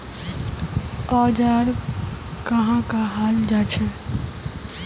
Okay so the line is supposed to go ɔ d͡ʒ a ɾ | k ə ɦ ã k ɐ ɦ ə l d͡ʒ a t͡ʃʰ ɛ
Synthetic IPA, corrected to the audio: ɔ d͡ʒ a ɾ | k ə ɦ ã k a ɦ a l d͡ʒ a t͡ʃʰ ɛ

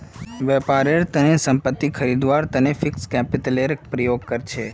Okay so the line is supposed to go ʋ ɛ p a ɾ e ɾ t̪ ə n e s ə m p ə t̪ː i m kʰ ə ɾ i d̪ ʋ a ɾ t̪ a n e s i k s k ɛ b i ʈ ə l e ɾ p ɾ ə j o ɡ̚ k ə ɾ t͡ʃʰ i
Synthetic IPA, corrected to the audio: ʋ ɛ p a ɾ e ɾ t̪ ə n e s ə m p ə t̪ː i kʰ ə ɾ i d̪ ʋ a ɾ t̪ ə n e f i k s k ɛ p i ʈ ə l e ɾ p ɾ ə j o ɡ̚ k ə ɾ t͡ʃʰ e

